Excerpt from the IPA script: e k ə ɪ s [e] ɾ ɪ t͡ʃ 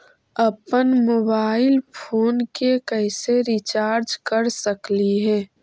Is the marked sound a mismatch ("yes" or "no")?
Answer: no